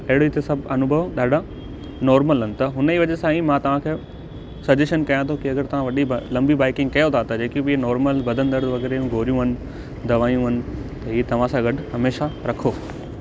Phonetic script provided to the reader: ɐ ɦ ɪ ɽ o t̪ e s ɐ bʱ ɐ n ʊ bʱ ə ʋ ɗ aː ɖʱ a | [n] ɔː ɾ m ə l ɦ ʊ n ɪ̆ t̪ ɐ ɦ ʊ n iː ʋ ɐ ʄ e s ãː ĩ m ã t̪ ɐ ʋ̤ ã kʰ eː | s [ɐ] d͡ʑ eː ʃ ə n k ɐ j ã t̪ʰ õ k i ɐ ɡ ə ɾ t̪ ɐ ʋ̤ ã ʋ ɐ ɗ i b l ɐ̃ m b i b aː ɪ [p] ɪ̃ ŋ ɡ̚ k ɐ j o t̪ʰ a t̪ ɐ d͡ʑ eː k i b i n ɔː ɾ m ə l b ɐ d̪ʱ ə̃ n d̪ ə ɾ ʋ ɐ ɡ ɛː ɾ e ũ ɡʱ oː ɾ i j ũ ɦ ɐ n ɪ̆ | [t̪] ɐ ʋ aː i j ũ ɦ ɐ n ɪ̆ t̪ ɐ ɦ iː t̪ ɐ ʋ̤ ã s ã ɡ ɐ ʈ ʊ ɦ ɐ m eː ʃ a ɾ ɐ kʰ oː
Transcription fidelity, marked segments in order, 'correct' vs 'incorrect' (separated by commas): correct, correct, incorrect, incorrect